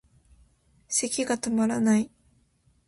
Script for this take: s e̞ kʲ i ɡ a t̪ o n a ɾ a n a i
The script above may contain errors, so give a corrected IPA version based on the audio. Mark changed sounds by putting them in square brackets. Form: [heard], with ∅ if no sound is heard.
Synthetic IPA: s e̞ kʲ i ɡ a t̪ o [m] a ɾ a n a i